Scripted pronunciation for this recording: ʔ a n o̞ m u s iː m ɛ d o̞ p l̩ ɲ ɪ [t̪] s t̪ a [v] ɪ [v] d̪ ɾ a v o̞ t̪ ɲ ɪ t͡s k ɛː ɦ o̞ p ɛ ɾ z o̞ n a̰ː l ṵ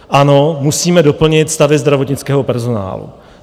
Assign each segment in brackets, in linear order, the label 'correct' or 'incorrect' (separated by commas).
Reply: correct, correct, incorrect